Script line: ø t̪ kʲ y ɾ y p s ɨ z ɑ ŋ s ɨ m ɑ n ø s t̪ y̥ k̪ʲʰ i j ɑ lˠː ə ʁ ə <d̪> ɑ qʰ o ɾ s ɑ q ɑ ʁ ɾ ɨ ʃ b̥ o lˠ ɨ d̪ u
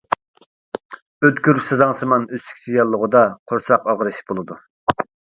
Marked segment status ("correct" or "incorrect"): correct